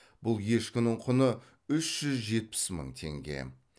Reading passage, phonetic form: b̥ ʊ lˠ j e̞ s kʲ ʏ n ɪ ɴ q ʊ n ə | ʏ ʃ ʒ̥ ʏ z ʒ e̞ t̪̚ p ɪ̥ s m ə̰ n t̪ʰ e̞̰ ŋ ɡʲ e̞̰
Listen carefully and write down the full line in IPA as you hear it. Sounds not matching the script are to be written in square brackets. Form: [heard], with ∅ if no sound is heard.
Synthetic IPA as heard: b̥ ʊ lˠ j e̞ [ʃ] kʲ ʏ n ɪ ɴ [qʰ] ʊ n ə | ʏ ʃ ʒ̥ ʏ z ʒ e̞ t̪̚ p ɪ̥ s m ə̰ [ɴ] t̪ʰ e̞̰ ŋ ɡʲ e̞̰